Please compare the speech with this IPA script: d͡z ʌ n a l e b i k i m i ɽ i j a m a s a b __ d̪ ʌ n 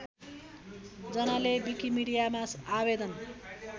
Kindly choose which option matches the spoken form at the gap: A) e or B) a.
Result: A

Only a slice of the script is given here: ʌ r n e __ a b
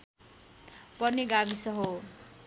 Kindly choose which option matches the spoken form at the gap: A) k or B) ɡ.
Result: B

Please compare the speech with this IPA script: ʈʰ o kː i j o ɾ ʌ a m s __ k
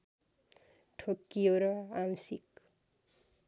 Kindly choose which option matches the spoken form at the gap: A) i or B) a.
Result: A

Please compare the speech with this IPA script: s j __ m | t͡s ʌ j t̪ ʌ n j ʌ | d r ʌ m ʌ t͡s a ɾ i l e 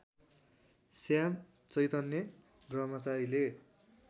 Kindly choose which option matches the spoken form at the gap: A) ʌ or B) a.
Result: B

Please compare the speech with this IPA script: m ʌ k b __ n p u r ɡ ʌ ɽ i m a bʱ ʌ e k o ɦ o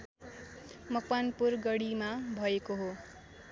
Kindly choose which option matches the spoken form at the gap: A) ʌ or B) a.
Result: B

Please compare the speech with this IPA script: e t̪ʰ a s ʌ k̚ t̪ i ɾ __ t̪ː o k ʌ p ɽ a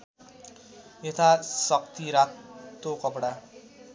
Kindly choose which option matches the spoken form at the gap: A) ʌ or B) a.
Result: B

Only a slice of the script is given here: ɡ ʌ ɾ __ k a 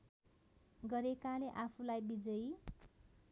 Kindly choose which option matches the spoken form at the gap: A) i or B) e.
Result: B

